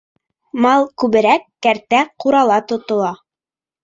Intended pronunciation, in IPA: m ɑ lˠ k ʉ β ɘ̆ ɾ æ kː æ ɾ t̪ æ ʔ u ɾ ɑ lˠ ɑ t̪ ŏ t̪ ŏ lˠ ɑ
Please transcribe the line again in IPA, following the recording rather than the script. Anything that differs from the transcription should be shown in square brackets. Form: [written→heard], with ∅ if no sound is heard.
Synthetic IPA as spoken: m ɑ lˠ k ʉ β ɘ̆ ɾ æ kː æ ɾ t̪ æ [ʔ→q] u ɾ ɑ lˠ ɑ t̪ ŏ t̪ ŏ lˠ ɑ